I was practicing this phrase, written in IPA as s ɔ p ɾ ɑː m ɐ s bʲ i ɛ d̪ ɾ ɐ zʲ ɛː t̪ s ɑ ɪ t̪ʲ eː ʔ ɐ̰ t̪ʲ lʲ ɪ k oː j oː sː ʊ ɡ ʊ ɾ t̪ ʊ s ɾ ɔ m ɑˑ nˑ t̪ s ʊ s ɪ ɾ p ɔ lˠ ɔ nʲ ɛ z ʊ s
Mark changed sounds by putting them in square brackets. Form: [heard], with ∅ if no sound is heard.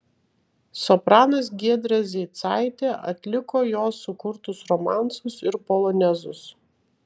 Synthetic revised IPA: s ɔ p ɾ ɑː [n] ɐ s [ɡʲ] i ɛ d̪ ɾ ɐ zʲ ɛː t̪ s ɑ ɪ t̪ʲ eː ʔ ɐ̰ t̪ʲ lʲ ɪ k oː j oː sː ʊ [k] ʊ ɾ t̪ ʊ s ɾ ɔ m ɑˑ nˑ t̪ s ʊ s ɪ ɾ p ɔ lˠ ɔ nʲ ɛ z ʊ s